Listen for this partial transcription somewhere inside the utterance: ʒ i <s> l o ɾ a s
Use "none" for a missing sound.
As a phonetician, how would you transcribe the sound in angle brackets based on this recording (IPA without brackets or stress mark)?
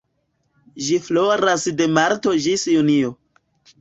f